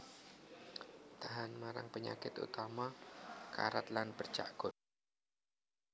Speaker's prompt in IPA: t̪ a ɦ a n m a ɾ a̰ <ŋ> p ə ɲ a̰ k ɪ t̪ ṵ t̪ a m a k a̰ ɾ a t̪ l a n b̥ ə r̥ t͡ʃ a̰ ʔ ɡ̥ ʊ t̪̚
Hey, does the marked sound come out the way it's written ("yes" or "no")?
yes